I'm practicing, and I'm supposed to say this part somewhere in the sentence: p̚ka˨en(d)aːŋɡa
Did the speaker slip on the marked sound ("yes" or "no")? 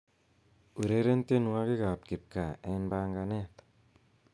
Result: yes